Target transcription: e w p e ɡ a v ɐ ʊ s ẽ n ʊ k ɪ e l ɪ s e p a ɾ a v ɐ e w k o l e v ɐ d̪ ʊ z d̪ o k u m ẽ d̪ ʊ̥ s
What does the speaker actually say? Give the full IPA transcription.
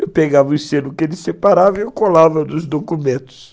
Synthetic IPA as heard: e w p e ɡ a v ɐ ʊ s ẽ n ʊ k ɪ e l ɪ s e p a ɾ a v ɐ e w k o l a v ɐ d̪ ʊ z d̪ o k u m ẽ t̪ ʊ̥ s